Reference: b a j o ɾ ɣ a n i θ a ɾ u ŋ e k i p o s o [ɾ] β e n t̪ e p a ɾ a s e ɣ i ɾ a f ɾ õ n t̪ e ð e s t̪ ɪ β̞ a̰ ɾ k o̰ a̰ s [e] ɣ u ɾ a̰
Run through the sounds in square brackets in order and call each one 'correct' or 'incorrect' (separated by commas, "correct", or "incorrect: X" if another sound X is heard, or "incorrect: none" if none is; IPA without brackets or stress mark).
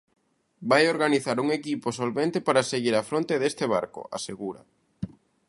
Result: incorrect: l, correct